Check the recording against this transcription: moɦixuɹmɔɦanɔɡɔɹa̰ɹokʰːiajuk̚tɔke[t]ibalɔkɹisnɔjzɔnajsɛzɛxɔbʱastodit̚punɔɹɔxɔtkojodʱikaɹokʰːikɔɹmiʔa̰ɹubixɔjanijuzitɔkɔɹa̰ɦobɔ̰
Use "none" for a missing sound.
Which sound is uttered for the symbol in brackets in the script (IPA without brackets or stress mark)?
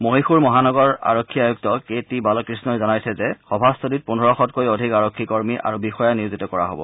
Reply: t